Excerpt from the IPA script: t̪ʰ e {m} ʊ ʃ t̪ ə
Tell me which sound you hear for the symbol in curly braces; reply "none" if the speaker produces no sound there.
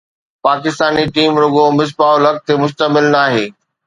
m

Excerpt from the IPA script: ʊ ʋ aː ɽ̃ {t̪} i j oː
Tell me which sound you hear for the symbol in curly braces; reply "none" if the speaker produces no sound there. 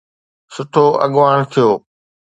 t̪ʰ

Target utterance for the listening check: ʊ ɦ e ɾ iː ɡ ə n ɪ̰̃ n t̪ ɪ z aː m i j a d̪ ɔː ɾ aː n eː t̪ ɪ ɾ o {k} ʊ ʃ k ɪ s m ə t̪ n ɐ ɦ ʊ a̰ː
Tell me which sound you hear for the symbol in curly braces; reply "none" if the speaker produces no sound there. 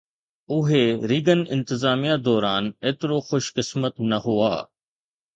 x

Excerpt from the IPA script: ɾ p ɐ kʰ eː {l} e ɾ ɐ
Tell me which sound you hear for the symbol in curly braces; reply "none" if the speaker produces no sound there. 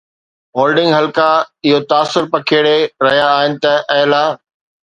ɽ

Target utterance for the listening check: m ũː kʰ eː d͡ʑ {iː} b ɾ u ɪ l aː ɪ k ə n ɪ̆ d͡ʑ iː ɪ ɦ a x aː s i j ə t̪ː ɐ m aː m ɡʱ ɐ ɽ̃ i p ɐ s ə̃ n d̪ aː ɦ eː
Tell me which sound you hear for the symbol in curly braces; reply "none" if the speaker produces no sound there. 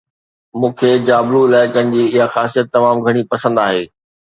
aː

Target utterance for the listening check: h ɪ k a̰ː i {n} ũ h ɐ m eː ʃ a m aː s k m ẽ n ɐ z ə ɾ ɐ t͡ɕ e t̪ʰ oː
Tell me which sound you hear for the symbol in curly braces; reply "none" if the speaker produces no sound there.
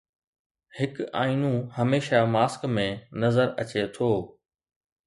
n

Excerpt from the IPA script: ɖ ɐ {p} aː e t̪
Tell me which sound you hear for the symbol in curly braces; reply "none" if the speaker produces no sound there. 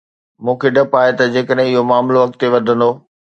p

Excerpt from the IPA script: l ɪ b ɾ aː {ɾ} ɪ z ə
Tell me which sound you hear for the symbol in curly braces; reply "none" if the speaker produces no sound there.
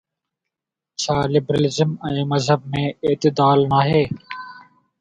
l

